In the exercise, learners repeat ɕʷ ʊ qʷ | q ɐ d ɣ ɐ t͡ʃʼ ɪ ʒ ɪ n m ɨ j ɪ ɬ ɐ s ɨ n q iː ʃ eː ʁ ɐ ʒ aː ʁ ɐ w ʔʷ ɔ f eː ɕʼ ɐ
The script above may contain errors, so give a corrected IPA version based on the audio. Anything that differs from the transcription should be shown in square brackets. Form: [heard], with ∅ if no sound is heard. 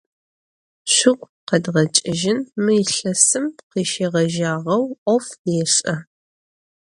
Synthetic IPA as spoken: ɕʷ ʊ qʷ | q ɐ d [ʁ] ɐ t͡ʃʼ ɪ ʒ ɪ n m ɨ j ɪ ɬ ɐ s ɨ [m] q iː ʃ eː ʁ ɐ ʒ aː ʁ ɐ w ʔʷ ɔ f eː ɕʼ ɐ